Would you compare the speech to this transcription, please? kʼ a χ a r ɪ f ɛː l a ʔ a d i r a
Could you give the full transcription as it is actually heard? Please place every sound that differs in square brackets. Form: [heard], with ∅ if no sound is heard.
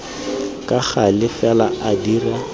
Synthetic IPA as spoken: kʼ a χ a [l] ɪ f [ɛ] l a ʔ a d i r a